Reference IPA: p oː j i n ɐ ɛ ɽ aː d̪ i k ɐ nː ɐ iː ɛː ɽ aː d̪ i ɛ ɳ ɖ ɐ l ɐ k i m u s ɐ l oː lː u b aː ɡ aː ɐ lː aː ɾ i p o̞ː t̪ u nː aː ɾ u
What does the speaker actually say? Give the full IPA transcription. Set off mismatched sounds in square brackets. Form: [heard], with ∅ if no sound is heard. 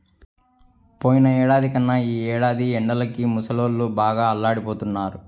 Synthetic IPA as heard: p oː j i n ɐ [ɛː] ɽ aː d̪ i k ɐ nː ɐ iː ɛː ɽ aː d̪ i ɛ ɳ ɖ ɐ l ɐ k i m u s ɐ l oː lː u b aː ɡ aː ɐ lː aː [ɽ] i p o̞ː t̪ u nː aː ɾ u